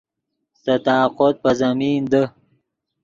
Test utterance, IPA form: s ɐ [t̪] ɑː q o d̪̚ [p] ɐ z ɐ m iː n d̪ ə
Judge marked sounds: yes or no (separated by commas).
yes, yes